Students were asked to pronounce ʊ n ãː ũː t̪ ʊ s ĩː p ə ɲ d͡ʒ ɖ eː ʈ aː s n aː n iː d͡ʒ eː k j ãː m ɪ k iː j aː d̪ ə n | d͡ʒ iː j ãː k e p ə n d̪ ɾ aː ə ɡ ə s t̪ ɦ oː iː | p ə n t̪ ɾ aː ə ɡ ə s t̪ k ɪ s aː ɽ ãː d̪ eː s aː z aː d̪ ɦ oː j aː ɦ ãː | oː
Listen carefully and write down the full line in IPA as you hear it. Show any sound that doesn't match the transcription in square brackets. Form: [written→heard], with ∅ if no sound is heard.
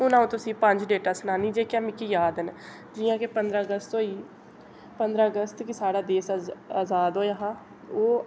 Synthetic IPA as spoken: ʊ n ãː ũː t̪ ʊ s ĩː p ə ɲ d͡ʒ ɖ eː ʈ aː s n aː n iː d͡ʒ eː k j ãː m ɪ k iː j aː d̪ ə n | d͡ʒ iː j ãː k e p ə n d̪ ɾ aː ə ɡ ə s t̪ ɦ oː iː | p ə n [t̪→d̪] ɾ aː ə ɡ ə s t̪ k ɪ s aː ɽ [ãː→aː] d̪ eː s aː z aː d̪ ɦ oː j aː ɦ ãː | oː

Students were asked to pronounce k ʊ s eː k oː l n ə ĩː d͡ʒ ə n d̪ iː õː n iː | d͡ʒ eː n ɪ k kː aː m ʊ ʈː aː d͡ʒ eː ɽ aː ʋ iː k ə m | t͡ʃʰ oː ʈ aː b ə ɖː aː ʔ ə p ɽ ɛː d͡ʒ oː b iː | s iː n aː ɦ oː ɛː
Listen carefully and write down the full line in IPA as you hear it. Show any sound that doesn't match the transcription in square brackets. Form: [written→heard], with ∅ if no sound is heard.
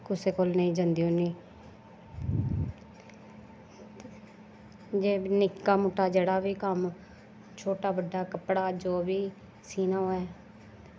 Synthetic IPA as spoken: k ʊ s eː k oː l n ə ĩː d͡ʒ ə n d̪ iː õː n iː | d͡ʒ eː n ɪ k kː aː m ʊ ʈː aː d͡ʒ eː ɽ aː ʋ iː k ə m | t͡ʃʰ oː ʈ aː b ə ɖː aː [ʔ→k] ə p ɽ [ɛː→aː] d͡ʒ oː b iː | s iː n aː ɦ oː ɛː

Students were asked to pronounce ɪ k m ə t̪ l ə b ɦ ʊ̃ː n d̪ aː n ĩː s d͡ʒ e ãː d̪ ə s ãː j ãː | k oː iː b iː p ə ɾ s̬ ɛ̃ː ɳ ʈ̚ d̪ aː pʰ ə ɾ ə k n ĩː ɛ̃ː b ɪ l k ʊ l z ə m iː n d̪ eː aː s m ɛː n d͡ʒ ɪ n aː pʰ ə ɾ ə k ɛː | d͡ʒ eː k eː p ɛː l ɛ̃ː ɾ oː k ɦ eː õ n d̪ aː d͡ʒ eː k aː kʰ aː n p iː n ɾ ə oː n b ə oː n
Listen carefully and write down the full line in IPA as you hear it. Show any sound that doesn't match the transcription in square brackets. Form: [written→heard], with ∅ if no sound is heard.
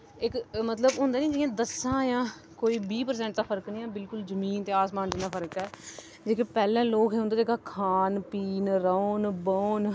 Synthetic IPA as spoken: ɪ k m ə t̪ l ə b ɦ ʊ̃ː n d̪ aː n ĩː [s→∅] d͡ʒ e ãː d̪ ə s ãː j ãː | k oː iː b iː p ə ɾ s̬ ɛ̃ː ɳ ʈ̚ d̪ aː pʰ ə ɾ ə k n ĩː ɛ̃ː b ɪ l k ʊ l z ə m iː n [d̪→t̪] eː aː s m [ɛː→aː] n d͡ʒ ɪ n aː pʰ ə ɾ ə k ɛː | d͡ʒ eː k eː p ɛː l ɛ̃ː [ɾ→l] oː k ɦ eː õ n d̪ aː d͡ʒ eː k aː kʰ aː n p iː n ɾ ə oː n b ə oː n

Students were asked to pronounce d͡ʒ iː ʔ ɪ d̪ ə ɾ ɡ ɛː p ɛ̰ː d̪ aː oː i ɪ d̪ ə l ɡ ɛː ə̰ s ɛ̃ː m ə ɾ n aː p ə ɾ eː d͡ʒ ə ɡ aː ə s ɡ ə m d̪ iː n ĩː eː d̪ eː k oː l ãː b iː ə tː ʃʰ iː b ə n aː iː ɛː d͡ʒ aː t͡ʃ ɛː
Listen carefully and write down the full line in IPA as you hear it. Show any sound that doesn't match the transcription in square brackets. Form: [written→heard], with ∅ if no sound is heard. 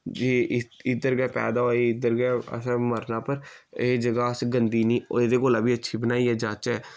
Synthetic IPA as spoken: d͡ʒ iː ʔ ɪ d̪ ə ɾ ɡ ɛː p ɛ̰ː d̪ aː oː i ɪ d̪ ə [l→ɾ] ɡ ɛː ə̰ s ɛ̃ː m ə ɾ n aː p ə ɾ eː d͡ʒ ə ɡ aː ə s ɡ ə [m→n] d̪ iː n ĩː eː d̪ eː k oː l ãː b iː ə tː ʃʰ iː b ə n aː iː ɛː d͡ʒ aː t͡ʃ ɛː

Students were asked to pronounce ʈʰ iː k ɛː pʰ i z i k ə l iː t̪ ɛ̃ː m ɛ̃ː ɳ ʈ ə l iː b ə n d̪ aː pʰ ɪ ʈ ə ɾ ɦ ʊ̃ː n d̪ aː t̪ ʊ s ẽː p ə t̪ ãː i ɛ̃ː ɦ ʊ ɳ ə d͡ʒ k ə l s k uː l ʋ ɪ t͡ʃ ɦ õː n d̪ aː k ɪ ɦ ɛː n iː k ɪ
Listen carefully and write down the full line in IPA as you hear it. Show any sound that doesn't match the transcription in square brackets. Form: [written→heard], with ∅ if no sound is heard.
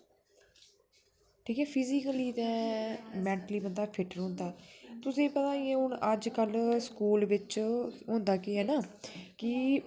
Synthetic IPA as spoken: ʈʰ iː k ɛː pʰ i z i k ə l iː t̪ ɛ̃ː m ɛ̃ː ɳ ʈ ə l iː b ə n d̪ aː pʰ ɪ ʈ ə ɾ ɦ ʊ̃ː n d̪ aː t̪ ʊ s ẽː p ə t̪ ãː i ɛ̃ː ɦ ʊ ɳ ə d͡ʒ k ə l s k uː l ʋ ɪ t͡ʃ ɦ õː n d̪ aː k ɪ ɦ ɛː n [iː→aː] k ɪ

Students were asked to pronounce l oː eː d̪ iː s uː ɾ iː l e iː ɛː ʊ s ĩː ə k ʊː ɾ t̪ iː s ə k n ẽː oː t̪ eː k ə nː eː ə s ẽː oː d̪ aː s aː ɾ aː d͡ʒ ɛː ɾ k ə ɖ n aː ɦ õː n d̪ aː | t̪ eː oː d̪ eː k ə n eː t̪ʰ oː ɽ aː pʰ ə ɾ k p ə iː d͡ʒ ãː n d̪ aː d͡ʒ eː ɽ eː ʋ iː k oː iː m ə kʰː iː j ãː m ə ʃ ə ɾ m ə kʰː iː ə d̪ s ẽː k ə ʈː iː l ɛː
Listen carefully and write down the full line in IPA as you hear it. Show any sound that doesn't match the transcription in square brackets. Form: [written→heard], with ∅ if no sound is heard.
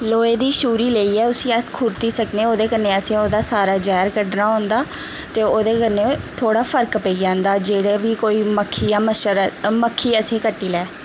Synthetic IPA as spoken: l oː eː d̪ iː [s→ʃ] uː ɾ iː l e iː ɛː ʊ s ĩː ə [k→kʰ] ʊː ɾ t̪ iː s ə k n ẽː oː [t̪→d̪] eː k ə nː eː ə s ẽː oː d̪ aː s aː ɾ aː d͡ʒ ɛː ɾ k ə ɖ n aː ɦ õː n d̪ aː | t̪ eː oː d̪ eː k ə n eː t̪ʰ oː ɽ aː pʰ ə ɾ k p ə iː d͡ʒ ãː n d̪ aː d͡ʒ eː ɽ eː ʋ iː k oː iː m ə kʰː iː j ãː m ə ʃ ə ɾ m ə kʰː iː ə [d̪→∅] s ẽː k ə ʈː iː l ɛː

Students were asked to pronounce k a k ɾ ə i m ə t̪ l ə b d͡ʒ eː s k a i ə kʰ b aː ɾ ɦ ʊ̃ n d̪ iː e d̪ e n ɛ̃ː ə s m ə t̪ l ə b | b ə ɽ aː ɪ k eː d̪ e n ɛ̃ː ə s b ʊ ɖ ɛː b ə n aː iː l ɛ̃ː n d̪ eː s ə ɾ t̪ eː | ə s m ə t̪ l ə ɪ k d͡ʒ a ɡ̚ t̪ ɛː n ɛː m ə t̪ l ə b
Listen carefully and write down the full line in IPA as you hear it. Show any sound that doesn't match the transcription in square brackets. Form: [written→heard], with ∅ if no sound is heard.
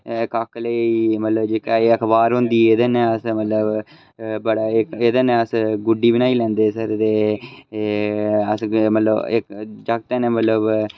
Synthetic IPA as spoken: k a k [ɾ→l] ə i m ə t̪ l ə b d͡ʒ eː [s→∅] k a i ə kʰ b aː ɾ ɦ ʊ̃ n d̪ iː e d̪ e n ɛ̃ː ə s m ə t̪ l ə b | b ə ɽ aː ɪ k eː d̪ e n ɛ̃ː ə s [b→ɡ] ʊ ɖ [ɛː→iː] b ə n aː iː l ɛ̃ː n d̪ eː s ə ɾ t̪ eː | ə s m ə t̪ l ə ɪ k d͡ʒ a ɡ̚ t̪ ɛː n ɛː m ə t̪ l ə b

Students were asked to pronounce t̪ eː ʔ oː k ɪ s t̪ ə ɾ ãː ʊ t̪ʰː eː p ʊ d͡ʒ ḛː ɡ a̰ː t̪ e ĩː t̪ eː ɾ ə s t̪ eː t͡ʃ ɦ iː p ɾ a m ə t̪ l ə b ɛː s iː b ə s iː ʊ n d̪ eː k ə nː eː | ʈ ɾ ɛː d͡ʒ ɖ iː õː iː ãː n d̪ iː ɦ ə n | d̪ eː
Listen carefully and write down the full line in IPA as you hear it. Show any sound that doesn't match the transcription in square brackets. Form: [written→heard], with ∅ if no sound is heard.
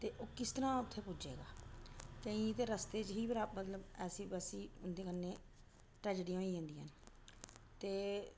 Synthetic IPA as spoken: t̪ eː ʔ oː k ɪ s t̪ ə ɾ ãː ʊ t̪ʰː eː p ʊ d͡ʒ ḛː ɡ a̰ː t̪ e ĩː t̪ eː ɾ ə s t̪ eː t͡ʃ ɦ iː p ɾ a m ə t̪ l ə b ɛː s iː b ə s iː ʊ n d̪ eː k ə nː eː | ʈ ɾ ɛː d͡ʒ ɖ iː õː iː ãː n d̪ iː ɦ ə n | [d̪→t̪] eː

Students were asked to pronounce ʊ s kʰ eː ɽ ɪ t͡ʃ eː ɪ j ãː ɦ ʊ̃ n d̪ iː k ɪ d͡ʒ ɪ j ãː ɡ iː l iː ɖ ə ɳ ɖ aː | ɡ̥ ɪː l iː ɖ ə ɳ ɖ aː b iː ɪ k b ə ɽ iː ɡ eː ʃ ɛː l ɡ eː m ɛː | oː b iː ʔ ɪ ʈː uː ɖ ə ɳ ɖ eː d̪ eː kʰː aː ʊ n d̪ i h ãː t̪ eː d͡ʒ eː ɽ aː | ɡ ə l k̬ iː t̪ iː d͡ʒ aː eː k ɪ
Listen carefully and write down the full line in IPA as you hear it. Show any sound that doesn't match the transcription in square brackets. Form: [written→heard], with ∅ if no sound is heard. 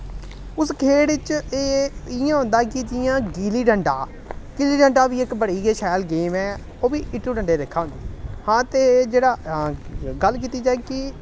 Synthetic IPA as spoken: ʊ s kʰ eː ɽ ɪ t͡ʃ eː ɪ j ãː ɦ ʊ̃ n d̪ [iː→aː] k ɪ d͡ʒ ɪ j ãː ɡ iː l iː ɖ ə ɳ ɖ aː | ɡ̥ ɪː l iː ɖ ə ɳ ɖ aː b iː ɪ k b ə ɽ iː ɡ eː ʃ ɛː l ɡ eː m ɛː | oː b iː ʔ ɪ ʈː uː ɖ ə ɳ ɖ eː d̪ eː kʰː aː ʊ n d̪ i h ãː t̪ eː d͡ʒ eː ɽ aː | ɡ ə l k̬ iː t̪ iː d͡ʒ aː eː k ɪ

